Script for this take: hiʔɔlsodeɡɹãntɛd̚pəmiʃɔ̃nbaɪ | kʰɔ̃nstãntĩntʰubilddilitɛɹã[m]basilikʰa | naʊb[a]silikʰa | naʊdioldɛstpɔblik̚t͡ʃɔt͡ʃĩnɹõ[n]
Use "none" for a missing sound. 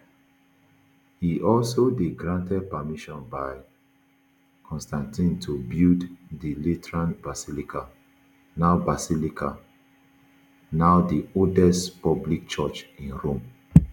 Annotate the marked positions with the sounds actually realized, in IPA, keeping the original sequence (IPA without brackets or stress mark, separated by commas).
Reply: n, a, m